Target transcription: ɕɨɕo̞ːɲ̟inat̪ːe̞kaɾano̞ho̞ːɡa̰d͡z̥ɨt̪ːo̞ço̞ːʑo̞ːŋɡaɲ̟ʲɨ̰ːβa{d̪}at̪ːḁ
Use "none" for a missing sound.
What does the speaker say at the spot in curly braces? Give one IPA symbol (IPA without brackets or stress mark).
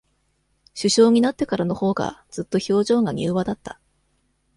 d̪